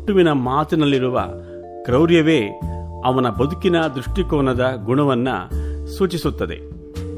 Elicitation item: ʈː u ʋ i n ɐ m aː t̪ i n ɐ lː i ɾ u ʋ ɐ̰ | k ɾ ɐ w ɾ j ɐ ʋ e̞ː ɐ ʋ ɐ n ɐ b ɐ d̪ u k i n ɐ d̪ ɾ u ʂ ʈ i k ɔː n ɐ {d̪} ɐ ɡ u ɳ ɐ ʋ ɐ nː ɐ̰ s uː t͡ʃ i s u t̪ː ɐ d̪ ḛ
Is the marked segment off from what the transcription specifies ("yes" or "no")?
no